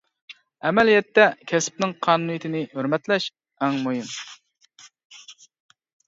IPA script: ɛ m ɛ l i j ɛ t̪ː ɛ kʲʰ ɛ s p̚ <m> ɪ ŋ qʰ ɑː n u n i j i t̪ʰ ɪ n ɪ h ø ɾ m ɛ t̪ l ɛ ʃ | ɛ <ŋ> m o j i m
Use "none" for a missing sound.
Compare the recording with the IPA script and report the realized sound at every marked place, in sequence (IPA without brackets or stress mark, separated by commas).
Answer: n, ŋ